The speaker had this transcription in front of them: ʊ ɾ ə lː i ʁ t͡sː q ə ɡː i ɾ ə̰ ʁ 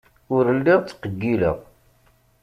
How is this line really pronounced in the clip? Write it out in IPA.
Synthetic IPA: ʊ ɾ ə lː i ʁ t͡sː q ə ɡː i l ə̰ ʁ